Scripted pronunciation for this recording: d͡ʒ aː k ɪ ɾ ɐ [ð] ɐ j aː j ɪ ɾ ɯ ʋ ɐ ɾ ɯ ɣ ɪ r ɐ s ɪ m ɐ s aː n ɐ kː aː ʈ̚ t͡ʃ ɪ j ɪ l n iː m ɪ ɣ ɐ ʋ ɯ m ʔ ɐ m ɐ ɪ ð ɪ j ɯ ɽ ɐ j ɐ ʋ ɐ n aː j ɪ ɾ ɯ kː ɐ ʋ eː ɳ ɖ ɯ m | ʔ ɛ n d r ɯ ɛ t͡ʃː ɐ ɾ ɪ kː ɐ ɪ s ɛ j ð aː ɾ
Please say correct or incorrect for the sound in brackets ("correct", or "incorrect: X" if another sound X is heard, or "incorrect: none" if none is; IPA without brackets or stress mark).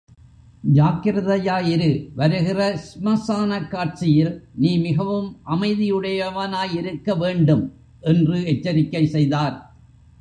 correct